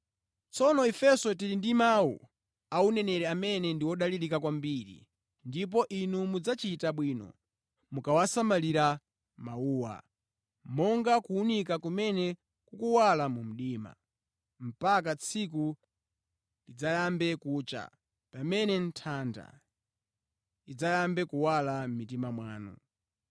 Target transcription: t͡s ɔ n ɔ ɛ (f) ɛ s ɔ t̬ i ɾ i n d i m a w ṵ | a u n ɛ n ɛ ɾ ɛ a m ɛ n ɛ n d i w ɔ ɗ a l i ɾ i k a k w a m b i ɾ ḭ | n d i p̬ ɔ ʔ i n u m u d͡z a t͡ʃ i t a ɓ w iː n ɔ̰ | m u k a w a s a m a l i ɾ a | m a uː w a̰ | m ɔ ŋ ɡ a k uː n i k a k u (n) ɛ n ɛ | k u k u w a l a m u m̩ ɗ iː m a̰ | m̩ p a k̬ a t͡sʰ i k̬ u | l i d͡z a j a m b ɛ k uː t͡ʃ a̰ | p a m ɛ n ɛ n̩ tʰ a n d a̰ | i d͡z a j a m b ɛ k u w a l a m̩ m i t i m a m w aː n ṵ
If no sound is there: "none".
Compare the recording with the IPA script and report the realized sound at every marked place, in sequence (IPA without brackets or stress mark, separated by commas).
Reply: f, m